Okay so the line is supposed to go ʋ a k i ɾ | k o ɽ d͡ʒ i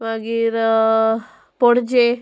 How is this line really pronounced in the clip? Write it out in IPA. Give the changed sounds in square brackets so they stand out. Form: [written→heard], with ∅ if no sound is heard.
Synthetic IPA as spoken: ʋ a [k→ɡ] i ɾ | [k→p] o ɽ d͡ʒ [i→e]

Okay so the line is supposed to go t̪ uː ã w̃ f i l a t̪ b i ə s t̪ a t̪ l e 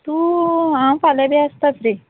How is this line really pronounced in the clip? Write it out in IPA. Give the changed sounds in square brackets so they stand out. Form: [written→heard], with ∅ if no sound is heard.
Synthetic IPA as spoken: t̪ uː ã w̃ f [i→a] l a [t̪→∅] b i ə s t̪ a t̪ [l→ɾ] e

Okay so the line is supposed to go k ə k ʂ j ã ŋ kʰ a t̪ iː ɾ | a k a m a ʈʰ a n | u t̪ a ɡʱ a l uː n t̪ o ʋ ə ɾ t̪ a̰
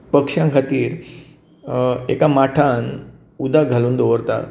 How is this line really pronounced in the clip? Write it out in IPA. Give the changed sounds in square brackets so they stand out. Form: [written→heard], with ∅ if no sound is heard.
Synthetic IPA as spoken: [k→p] ə k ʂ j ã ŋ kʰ a t̪ iː ɾ | [a→e] k a m a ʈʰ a n | u [t̪→d̪] a ɡʱ a l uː n [t̪→d̪] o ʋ ə ɾ t̪ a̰

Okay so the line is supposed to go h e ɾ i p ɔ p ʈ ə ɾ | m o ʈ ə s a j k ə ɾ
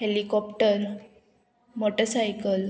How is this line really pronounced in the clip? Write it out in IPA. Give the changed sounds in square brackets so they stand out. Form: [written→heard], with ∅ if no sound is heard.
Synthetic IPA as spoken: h e [ɾ→l] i [p→k] ɔ p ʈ ə ɾ | m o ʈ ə s a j k ə [ɾ→l]

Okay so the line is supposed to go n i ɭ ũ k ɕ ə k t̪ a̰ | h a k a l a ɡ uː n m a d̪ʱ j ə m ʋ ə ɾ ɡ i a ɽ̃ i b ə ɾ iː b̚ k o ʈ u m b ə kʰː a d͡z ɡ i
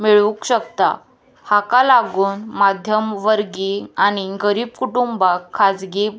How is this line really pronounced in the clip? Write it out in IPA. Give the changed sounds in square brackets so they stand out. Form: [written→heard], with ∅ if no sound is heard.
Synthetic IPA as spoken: [n→m] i ɭ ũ k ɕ ə k t̪ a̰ | h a k a l a ɡ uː n m a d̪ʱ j ə m ʋ ə ɾ ɡ i a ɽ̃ i [b→ɡ] ə ɾ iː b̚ k [o→u] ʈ u m b [ə→a] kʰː a d͡z ɡ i

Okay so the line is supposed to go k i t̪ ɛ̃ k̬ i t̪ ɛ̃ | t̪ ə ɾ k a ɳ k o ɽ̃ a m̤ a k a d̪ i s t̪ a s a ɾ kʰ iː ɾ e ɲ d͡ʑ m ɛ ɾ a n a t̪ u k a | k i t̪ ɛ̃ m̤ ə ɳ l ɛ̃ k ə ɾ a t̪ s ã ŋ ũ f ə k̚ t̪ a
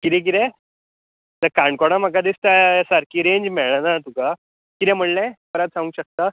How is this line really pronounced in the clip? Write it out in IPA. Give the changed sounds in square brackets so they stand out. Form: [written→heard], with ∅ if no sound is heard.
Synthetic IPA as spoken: k i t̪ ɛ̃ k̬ i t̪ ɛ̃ | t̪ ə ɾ k a ɳ k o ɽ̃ a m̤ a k a d̪ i s t̪ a s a ɾ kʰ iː ɾ e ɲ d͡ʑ m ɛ [ɾ→ɭ] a n a t̪ u k a | k i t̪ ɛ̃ m̤ ə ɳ l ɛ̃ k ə ɾ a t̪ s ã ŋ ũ [f→ɕ] ə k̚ t̪ a

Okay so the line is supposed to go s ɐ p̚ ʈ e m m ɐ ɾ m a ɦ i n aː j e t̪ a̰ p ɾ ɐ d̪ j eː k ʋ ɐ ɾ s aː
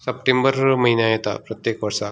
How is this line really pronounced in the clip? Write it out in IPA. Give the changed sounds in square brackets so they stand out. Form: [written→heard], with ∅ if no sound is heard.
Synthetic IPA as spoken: s ɐ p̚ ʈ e m [m→b] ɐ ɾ m [a→ɐ] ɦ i n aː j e t̪ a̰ p ɾ ɐ [d̪→t̪] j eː k ʋ ɐ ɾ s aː

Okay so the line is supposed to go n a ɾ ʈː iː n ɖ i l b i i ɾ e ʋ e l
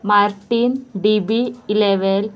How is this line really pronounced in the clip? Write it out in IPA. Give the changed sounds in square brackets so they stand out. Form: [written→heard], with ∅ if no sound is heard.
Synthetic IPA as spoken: [n→m] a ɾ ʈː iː n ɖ i [l→∅] b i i [ɾ→l] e ʋ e l

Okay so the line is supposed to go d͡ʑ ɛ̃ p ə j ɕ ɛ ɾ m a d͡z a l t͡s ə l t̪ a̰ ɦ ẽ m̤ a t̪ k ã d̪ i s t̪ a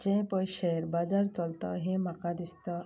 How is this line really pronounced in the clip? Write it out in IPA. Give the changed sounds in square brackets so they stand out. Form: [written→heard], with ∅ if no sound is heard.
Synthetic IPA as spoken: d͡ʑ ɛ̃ p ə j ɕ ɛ ɾ [m→b] a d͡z a [l→ɾ] t͡s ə l t̪ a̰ ɦ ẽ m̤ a [t̪→∅] k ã d̪ i s t̪ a

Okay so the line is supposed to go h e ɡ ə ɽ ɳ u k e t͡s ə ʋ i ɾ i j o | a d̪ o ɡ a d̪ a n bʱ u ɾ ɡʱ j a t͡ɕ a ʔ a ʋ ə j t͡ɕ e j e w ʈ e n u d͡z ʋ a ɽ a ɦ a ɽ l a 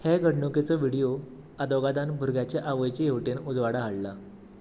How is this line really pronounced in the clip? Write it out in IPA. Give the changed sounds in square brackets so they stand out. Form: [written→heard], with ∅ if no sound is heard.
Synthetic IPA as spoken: h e ɡ ə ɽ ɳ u k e t͡s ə ʋ i [ɾ→ɽ] i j o | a d̪ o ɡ a d̪ a n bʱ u ɾ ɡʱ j a t͡ɕ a ʔ a ʋ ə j t͡ɕ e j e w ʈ e n u d͡z ʋ a ɽ a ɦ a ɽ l a

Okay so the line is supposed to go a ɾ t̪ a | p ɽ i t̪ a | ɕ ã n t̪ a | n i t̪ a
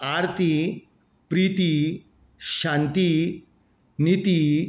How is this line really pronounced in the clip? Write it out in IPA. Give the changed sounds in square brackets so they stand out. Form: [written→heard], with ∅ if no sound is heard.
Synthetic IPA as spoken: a ɾ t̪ [a→i] | p [ɽ→ɾ] i t̪ [a→i] | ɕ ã n t̪ [a→i] | n i t̪ [a→i]

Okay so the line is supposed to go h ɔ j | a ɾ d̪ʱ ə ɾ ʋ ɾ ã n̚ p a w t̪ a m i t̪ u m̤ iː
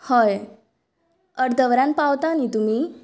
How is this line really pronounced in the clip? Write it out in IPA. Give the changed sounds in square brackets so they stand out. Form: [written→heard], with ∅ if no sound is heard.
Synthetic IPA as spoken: h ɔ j | [a→ə] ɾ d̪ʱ ə [ɾ→∅] ʋ ɾ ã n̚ p a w t̪ a [m→n] i t̪ u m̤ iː

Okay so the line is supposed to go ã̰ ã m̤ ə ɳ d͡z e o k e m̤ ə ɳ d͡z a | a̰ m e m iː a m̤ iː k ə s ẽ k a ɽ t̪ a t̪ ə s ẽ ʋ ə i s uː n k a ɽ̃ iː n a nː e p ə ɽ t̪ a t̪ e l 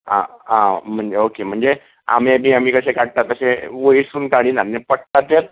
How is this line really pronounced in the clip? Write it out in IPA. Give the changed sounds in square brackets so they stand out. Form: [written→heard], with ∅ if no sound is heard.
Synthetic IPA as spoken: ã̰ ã m̤ ə ɳ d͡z e o k e m̤ ə ɳ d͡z [a→e] | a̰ m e m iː a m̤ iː k ə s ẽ k a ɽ t̪ a t̪ ə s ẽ ʋ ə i s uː n k a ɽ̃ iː n a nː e p ə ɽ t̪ a t̪ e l

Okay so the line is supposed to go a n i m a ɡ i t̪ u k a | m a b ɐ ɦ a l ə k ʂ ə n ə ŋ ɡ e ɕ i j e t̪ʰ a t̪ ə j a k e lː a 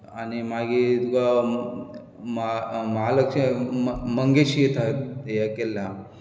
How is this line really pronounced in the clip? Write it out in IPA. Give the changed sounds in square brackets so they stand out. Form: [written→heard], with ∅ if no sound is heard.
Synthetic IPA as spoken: a n i m a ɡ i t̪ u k a | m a [b→m] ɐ ɦ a l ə k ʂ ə [n→m] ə ŋ ɡ e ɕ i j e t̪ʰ a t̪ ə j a k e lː a

